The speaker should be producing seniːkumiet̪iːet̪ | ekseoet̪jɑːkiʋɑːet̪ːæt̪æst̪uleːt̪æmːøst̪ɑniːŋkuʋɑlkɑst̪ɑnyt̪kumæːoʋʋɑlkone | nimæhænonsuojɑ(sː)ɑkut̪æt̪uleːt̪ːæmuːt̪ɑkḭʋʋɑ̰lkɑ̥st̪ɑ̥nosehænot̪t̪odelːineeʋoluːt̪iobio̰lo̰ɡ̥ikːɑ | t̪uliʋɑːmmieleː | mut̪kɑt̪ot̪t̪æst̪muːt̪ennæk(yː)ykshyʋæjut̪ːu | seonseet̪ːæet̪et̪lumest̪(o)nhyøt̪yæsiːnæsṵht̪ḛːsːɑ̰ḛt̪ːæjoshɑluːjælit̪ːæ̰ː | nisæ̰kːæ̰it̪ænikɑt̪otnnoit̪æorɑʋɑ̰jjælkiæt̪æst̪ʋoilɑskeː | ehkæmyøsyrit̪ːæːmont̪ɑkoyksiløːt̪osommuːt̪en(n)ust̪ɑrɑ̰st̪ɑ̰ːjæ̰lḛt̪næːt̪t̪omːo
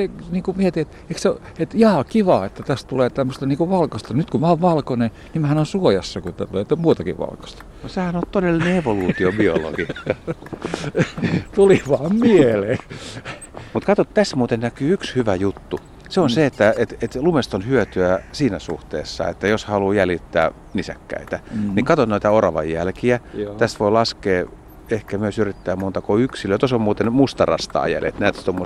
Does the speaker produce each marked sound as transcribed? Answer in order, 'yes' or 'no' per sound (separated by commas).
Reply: yes, yes, yes, no